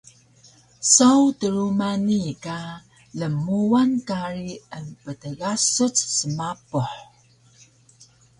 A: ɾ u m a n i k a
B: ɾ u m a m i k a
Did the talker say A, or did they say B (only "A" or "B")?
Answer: A